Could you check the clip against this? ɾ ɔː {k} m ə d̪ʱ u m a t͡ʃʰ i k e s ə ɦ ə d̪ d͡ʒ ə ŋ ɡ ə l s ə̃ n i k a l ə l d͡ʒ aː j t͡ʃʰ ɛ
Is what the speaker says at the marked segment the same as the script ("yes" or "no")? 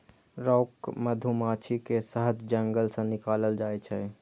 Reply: yes